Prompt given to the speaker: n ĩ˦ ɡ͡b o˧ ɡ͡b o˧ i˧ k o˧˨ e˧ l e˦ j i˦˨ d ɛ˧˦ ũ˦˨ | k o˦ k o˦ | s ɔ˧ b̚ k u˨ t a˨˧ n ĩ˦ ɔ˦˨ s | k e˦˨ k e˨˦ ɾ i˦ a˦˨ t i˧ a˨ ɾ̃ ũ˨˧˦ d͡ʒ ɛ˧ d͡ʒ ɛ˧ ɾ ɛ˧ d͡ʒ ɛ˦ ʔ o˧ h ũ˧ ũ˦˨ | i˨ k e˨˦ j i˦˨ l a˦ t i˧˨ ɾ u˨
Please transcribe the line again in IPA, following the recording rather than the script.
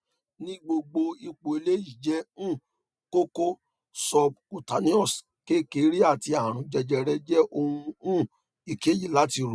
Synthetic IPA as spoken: n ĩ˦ ɡ͡b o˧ ɡ͡b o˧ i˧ k͡p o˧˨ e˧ l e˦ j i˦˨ d͡ʒ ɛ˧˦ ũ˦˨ | k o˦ k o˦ | s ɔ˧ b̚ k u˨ t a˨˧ n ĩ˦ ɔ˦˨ s | k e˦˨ k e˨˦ ɾ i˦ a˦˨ t i˧ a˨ ɾ̃ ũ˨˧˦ d͡ʒ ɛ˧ d͡ʒ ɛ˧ ɾ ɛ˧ d͡ʒ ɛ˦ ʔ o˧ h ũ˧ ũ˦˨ | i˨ k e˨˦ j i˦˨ l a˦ t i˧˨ ɾ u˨

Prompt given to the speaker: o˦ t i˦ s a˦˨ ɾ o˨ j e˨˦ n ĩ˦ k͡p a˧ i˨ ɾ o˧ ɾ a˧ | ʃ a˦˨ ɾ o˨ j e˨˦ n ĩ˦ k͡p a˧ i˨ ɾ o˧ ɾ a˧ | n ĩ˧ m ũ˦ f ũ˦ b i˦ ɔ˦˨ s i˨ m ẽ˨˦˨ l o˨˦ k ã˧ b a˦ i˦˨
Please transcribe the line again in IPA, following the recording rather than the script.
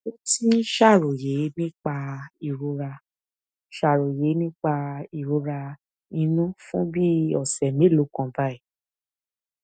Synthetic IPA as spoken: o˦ t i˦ ʃ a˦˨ ɾ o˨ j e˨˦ n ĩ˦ k͡p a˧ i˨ ɾ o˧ ɾ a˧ | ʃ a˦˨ ɾ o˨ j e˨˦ n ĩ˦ k͡p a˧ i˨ ɾ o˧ ɾ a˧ | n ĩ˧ n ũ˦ f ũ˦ b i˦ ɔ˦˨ s ɛ˨ m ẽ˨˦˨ l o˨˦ k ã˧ b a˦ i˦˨

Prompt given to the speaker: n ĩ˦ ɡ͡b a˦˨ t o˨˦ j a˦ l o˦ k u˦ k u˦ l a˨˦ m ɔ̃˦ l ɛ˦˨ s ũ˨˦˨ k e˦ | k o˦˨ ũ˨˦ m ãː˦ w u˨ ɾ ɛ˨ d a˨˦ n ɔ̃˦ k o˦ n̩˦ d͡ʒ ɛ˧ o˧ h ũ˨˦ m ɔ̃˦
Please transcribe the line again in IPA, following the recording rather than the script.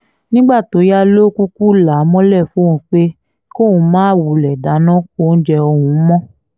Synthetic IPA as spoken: n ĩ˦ ɡ͡b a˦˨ t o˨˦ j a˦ l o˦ k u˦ k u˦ l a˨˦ m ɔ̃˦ l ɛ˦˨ f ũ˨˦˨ k͡p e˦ | k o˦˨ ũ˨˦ m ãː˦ w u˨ l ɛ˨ d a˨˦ n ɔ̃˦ k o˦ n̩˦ d͡ʒ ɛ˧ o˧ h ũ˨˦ m ɔ̃˦

